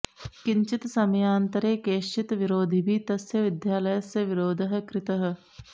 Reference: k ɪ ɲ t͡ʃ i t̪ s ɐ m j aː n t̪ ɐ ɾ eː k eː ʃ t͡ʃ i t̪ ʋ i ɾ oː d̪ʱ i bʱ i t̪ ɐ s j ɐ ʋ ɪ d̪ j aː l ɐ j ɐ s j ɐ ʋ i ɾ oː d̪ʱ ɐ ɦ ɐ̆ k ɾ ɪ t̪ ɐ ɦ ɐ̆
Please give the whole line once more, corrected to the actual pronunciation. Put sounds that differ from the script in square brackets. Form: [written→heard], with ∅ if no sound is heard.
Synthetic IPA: k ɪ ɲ t͡ʃ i t̪ s ɐ m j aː n t̪ ɐ ɾ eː k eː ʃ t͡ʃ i t̪ ʋ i ɾ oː d̪ʱ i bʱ i t̪ ɐ s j ɐ ʋ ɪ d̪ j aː l ɐ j ɐ s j ɐ ʋ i ɾ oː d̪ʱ ɐ ɦ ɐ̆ k ɾ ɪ t̪ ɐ ɦ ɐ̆